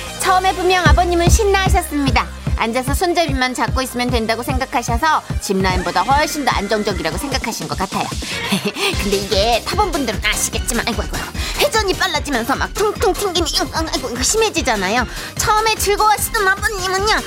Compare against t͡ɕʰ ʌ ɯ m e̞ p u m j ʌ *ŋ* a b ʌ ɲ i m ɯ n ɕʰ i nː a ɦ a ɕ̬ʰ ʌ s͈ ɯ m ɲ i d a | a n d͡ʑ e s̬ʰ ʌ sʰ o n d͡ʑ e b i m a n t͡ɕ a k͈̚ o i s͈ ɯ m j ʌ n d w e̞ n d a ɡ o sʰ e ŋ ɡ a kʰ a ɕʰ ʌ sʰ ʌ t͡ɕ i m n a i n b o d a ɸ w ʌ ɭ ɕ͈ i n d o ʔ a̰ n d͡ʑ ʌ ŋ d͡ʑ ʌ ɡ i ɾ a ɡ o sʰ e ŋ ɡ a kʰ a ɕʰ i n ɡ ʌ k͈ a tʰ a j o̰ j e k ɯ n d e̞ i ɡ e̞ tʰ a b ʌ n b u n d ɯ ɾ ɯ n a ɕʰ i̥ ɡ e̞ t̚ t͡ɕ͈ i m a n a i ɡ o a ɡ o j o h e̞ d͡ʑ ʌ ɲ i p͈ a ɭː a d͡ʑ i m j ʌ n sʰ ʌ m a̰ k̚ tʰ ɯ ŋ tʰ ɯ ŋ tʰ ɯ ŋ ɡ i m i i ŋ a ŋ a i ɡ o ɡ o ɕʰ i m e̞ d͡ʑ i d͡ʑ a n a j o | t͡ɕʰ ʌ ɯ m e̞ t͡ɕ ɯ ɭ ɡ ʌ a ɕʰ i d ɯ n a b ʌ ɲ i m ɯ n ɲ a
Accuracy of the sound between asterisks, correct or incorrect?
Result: correct